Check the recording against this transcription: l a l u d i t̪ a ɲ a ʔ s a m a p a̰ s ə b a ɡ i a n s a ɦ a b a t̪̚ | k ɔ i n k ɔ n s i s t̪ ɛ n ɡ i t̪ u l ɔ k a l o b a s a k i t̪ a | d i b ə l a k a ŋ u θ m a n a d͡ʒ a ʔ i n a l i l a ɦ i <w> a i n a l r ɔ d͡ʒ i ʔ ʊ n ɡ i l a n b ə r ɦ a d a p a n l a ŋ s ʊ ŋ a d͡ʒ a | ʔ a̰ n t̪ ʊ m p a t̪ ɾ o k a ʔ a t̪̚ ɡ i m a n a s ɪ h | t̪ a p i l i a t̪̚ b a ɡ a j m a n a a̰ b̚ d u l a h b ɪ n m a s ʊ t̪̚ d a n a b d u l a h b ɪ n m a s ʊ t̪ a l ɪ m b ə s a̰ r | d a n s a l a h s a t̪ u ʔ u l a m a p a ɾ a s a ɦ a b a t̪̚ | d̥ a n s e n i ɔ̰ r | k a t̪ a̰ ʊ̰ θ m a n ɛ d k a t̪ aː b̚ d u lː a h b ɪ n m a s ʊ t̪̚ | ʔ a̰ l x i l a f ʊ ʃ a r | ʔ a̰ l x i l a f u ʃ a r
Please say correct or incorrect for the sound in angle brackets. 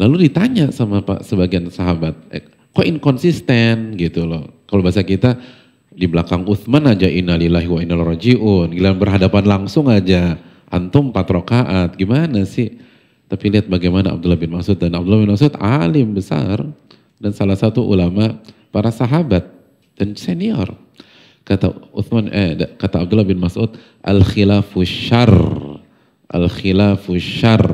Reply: correct